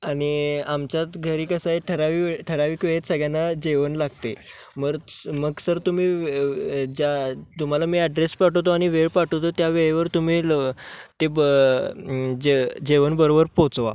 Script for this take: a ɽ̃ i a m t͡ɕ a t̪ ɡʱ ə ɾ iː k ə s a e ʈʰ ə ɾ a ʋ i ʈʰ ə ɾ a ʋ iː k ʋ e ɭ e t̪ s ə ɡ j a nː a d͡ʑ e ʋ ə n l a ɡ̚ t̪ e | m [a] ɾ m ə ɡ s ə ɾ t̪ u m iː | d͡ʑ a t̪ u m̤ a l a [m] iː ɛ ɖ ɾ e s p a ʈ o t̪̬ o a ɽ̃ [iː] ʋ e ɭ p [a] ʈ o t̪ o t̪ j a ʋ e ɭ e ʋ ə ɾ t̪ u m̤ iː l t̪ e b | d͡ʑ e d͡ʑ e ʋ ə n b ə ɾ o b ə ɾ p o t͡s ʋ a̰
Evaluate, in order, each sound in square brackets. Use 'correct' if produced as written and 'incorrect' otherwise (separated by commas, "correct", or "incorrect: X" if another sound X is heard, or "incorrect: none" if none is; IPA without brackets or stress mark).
incorrect: ə, correct, incorrect: i, correct